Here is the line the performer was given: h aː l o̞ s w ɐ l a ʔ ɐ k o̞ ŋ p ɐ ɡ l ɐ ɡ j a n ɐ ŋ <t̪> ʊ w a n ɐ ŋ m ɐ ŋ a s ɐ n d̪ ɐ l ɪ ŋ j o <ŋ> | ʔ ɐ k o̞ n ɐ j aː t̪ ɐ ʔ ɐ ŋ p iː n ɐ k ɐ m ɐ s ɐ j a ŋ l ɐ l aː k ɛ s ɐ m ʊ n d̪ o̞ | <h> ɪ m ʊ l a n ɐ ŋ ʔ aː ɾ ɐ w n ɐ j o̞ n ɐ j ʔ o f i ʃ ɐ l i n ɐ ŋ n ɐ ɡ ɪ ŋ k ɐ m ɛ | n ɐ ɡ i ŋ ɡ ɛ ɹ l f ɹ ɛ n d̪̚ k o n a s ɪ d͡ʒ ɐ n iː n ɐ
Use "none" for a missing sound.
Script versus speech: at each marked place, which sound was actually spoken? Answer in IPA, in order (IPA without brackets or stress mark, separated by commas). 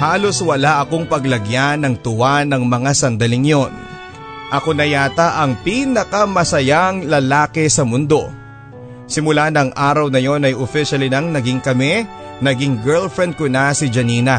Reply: t̪, n, s